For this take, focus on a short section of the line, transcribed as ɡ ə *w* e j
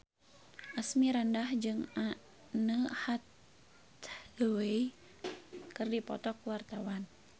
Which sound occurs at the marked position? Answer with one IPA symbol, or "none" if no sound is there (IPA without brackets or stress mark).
w